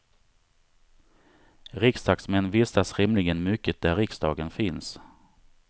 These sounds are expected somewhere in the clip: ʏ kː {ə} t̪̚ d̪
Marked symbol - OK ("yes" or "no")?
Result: yes